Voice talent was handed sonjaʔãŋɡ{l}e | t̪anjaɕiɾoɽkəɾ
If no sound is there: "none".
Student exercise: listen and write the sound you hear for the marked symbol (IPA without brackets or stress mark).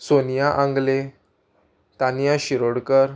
l